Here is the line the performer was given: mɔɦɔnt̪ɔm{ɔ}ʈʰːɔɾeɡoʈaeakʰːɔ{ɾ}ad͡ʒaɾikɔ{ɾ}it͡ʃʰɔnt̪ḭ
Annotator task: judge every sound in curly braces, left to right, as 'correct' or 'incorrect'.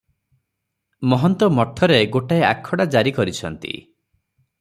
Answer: correct, incorrect: ɽ, correct

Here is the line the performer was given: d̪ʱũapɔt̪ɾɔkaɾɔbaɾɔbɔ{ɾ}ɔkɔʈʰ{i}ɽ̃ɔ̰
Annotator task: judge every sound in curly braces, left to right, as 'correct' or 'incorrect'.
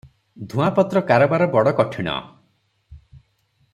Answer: incorrect: ɽ, correct

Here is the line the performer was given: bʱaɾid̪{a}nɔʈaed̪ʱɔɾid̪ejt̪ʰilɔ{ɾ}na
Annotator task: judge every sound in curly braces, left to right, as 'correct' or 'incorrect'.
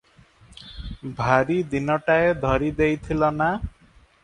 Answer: incorrect: i, incorrect: none

